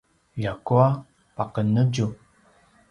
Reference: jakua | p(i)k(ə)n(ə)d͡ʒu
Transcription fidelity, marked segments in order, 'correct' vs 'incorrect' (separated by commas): incorrect, correct, correct